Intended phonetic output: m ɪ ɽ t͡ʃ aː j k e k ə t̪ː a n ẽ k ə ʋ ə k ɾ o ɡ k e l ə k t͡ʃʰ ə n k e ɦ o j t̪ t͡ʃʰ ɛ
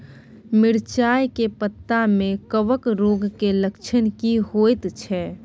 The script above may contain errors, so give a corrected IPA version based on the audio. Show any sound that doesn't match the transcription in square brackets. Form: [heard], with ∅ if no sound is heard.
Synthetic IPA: m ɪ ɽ t͡ʃ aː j k e [p] ə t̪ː a [m] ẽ k ə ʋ ə k ɾ o ɡ k e l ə k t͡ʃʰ ə n k [i] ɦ o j t̪ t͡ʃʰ ɛ